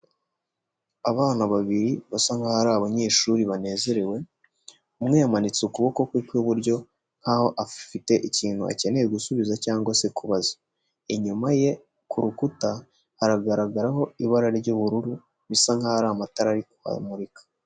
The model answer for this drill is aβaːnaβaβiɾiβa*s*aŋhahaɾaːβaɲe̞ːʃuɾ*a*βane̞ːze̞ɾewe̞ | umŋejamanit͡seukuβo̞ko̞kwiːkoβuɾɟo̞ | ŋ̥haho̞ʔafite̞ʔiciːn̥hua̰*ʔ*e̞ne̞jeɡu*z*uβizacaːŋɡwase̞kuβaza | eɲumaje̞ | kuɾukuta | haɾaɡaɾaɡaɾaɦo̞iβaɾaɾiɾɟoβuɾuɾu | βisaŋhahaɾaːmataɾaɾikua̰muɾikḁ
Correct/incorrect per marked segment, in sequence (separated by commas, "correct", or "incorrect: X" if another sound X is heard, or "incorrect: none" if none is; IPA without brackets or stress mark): correct, incorrect: i, incorrect: c, incorrect: s